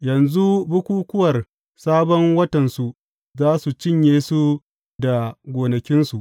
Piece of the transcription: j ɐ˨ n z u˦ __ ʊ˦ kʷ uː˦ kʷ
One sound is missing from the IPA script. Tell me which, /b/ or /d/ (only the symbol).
b